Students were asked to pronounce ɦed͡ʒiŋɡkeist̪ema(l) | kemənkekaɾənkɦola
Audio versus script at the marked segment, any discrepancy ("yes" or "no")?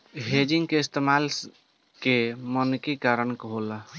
no